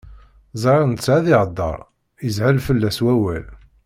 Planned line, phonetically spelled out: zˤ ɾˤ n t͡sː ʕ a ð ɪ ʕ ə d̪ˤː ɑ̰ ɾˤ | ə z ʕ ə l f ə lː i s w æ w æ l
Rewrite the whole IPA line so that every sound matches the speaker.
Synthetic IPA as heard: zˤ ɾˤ n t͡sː ʕ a ð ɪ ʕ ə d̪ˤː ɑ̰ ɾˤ | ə z ʕ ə l f ə lː æ s w æ w æ l